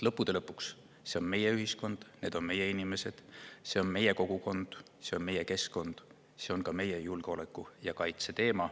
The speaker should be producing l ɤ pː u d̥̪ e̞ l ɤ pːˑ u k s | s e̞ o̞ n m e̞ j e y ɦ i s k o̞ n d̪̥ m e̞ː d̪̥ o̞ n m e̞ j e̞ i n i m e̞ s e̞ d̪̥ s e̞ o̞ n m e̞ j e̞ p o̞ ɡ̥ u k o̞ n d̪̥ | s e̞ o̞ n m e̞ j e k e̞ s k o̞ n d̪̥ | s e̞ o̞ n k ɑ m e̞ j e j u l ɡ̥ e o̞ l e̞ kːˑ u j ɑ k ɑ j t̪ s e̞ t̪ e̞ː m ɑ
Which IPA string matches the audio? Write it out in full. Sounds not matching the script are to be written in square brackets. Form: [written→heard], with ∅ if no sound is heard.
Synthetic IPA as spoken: l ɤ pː u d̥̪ e̞ l ɤ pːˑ u k s | s e̞ o̞ n m e̞ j e y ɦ i s k o̞ n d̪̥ [m→n] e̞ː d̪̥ o̞ n m e̞ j e̞ i n i m e̞ s e̞ d̪̥ s e̞ o̞ n m e̞ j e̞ [p→k] o̞ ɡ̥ u k o̞ n d̪̥ | s e̞ o̞ n m e̞ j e k e̞ s k o̞ n d̪̥ | s e̞ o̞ n k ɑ m e̞ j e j u l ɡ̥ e o̞ l e̞ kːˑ u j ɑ k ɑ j t̪ s e̞ t̪ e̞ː m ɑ